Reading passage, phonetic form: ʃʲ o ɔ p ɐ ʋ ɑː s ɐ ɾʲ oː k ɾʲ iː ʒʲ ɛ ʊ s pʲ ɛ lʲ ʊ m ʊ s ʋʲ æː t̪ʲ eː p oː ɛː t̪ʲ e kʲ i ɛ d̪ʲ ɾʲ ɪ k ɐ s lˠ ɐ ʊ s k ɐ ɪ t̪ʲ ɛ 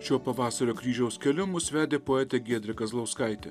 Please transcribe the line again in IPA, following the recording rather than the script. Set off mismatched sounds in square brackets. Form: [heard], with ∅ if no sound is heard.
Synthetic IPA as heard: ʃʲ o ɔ p ɐ ʋ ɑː s ɐ ɾʲ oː k ɾʲ iː ʒʲ ɛ ʊ s [kʲ] ɛ lʲ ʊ m ʊ s ʋʲ æː [d̪ʲ] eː p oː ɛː t̪ʲ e [ɡʲ] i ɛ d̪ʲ ɾʲ ɪ k ɐ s lˠ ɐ ʊ s k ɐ ɪ t̪ʲ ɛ